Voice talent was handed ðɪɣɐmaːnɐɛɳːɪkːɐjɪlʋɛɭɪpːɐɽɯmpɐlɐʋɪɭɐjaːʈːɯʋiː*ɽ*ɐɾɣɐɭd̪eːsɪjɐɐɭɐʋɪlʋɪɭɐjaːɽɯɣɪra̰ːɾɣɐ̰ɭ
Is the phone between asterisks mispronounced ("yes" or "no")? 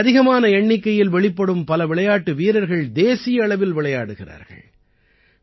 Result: yes